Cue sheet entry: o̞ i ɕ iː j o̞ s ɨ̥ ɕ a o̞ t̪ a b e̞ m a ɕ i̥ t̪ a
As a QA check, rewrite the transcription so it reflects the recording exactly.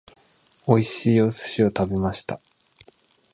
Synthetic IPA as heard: o̞ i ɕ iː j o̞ s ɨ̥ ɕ i o̞ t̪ a b e̞ m a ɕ i̥ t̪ a